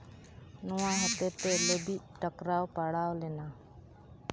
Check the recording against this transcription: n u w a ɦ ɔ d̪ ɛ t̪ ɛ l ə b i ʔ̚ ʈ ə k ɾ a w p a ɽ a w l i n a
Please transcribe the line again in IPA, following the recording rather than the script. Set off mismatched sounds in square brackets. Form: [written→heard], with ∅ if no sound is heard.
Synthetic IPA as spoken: n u w a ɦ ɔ [d̪→t̪] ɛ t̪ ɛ l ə b i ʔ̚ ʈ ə k ɾ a w p a ɽ a w l [i→ɛ] n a